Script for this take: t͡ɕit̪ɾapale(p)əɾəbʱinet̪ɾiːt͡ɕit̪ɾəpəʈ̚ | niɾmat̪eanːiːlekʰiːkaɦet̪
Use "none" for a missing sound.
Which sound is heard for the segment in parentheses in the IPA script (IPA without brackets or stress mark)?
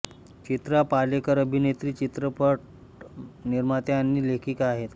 k